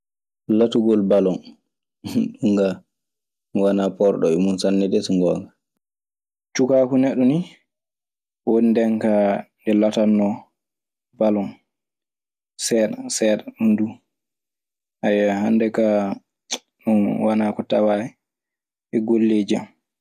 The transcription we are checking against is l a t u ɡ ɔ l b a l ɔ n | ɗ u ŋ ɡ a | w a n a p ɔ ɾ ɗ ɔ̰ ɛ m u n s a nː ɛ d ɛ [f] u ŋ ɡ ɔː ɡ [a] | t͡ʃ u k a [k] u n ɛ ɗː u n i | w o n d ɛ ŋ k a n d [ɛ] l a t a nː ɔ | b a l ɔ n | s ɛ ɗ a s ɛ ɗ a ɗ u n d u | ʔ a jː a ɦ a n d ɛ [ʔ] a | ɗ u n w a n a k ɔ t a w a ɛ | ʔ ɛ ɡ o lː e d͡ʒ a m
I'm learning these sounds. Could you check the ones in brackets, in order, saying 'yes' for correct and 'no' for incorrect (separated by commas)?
no, yes, yes, yes, no